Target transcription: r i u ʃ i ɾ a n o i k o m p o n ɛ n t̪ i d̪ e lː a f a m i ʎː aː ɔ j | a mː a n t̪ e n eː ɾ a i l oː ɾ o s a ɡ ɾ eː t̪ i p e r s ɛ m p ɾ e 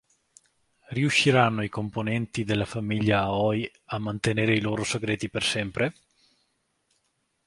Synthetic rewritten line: r i u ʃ i ɾ a nː o i k o m p o n ɛ n t̪ i d̪ e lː a f a m i ʎː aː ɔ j | a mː a n t̪ e n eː ɾ e i l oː ɾ o s e ɡ ɾ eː t̪ i p e r s ɛ m p ɾ e

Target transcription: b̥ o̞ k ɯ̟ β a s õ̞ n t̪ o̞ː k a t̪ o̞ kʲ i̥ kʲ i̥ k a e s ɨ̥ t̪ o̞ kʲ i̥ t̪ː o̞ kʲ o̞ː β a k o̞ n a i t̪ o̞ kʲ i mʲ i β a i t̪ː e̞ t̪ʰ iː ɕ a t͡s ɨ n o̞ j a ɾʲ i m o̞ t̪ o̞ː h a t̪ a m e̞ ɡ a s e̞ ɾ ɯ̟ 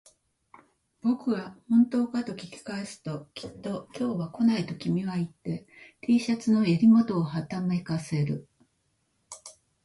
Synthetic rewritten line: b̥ o̞ k ɯ̟ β a h õ̞ n t̪ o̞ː k a t̪ o̞ kʲ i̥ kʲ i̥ k a e s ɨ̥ t̪ o̞ kʲ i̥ t̪ː o̞ kʲ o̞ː β a k o̞ n a i t̪ o̞ kʲ i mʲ i β a i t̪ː e̞ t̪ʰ iː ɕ a t͡s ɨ n o̞ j a ɾʲ i m o̞ t̪ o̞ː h a t̪ a m e̞ k a s e̞ ɾ ɯ̟

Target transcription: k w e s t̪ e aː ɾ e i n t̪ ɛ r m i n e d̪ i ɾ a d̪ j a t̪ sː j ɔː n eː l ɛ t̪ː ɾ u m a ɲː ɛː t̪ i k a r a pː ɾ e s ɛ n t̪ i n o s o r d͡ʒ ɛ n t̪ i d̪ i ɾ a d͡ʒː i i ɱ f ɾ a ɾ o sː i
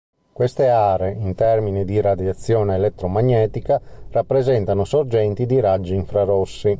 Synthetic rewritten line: k w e s t̪ e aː ɾ e i n t̪ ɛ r m i n i d̪ i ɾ a d̪ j a t̪ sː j ɔː n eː l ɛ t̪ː ɾ o m a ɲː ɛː t̪ i k a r a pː ɾ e z ɛ n t̪ a n o s o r d͡ʒ ɛ n t̪ i d̪ i ɾ a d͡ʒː i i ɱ f ɾ a ɾ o sː i

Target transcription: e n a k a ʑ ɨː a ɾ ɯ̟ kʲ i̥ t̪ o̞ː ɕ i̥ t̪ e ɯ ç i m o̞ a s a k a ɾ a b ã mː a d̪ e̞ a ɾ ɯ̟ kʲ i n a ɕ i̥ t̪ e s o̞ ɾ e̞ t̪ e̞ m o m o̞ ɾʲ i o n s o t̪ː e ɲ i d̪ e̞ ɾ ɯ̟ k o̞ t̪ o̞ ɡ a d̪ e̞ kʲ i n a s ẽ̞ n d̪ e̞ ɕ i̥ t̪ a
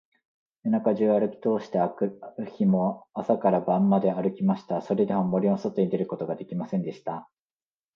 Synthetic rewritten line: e n a k a ʑ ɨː a ɾ ɯ̟ kʲ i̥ t̪ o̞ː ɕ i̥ t̪ e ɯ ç i m o̞ a s a k a ɾ a b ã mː a d̪ e̞ a ɾ ɯ̟ kʲ i m a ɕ i̥ t̪ a s o̞ ɾ e̞ d̪ e̞ m o m o̞ ɾʲ i o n s o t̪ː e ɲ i d̪ e̞ ɾ ɯ̟ k o̞ t̪ o̞ ɡ a d̪ e̞ kʲ i m a s ẽ̞ n d̪ e̞ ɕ i̥ t̪ a

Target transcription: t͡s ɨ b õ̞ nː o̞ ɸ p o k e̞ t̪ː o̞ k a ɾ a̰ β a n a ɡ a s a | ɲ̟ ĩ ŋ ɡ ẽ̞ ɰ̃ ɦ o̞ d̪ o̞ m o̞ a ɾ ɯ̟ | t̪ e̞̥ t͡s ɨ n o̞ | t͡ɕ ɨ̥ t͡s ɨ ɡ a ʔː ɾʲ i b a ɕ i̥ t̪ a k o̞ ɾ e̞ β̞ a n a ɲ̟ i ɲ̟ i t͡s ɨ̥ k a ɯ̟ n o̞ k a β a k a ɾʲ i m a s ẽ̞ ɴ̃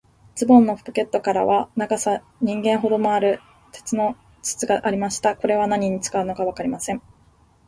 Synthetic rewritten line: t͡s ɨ b õ̞ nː o̞ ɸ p o k e̞ t̪ː o̞ k a ɾ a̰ β a n a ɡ a s a | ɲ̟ ĩ ŋ ɡ ẽ̞ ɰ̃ ɦ o̞ d̪ o̞ m o̞ a ɾ ɯ̟ | t̪ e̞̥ t͡s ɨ n o̞ | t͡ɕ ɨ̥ t͡s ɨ ɡ a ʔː ɾʲ i m a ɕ i̥ t̪ a k o̞ ɾ e̞ β̞ a n a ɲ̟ i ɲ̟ i t͡s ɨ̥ k a ɯ̟ n o̞ k a β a k a ɾʲ i m a s ẽ̞ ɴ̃

